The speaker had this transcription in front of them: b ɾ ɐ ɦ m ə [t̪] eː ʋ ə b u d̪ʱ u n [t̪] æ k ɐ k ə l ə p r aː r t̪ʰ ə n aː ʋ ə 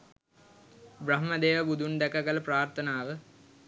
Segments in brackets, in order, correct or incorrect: incorrect, incorrect

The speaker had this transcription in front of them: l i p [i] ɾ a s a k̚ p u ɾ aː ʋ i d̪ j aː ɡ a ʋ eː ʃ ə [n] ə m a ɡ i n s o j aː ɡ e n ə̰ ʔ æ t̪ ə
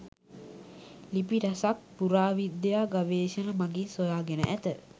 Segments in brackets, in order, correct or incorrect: correct, correct

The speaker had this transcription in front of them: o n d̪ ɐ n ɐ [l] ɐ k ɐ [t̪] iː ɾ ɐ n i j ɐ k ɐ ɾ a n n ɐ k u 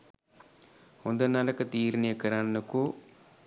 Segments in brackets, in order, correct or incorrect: correct, correct

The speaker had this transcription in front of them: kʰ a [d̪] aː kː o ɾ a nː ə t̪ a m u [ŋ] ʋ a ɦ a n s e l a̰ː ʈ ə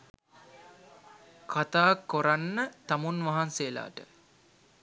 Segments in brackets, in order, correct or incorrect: incorrect, incorrect

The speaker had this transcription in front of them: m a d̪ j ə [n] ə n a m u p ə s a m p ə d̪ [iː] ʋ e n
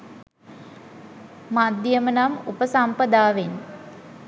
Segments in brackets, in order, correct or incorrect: incorrect, incorrect

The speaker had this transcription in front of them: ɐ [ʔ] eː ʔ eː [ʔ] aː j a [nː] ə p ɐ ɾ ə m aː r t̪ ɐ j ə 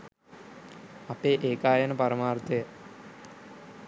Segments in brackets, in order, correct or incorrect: incorrect, incorrect, incorrect

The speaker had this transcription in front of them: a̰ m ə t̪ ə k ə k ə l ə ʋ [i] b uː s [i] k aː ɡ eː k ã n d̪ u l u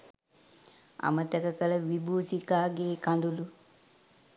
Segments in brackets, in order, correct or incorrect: correct, correct

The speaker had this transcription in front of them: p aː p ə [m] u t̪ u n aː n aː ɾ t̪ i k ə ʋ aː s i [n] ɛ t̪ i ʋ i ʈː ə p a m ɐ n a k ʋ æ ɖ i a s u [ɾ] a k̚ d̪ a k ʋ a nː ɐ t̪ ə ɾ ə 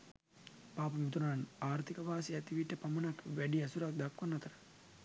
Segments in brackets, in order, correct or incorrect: correct, incorrect, correct

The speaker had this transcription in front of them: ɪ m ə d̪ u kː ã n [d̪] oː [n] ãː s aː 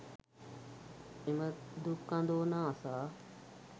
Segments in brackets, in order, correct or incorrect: correct, correct

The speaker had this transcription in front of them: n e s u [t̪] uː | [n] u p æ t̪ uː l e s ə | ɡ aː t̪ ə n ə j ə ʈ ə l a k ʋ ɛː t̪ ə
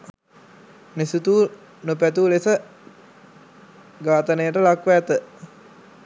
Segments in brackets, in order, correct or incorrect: correct, correct

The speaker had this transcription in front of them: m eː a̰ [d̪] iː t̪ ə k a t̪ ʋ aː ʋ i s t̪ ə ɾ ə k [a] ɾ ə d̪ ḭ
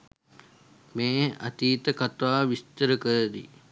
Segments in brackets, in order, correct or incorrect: incorrect, incorrect

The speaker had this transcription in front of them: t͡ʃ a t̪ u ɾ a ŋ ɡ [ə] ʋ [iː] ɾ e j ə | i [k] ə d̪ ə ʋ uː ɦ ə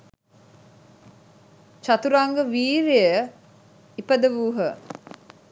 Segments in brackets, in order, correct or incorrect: correct, correct, incorrect

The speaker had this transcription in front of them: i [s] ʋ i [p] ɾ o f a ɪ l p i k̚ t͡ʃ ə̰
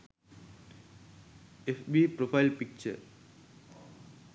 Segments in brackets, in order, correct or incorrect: incorrect, correct

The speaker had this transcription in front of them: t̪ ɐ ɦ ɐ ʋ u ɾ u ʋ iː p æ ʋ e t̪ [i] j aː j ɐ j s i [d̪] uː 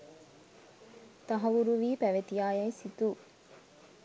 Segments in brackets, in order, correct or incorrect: correct, incorrect

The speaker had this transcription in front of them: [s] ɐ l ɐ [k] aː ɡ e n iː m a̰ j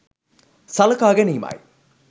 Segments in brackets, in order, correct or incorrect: correct, correct

